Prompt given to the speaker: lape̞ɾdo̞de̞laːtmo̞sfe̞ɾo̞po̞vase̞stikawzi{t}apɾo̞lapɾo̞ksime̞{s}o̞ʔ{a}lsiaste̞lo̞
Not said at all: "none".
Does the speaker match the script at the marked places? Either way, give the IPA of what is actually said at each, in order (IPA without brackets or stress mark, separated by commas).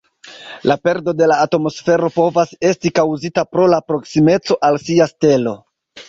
t, t͡s, a